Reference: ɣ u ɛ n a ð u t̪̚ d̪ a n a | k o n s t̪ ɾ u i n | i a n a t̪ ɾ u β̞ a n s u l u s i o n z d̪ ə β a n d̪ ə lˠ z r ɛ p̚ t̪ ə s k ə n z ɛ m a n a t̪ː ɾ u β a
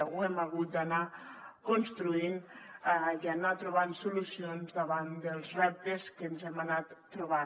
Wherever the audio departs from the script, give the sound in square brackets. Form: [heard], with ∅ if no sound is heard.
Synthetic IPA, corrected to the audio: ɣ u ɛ [m] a [ɣ] u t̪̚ d̪ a n a | k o n s t̪ ɾ u i n | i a n a t̪ ɾ u β̞ a n s u l u s i o n z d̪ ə β a n d̪ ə lˠ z r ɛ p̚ t̪ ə s k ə n z ɛ m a n a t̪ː ɾ u β a